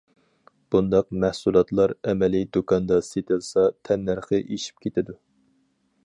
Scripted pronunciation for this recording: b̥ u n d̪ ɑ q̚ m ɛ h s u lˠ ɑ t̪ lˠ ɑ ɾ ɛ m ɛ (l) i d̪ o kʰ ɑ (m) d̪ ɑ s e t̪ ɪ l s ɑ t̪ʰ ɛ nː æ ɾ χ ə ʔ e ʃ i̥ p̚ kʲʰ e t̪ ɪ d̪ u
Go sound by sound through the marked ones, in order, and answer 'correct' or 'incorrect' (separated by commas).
correct, incorrect